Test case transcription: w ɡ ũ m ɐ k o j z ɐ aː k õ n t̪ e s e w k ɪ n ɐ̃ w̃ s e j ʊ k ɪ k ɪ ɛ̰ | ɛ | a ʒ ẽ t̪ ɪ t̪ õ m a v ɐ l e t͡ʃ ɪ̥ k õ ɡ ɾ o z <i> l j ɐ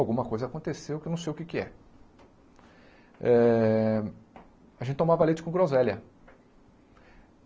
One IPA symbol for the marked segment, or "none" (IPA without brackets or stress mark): ɛ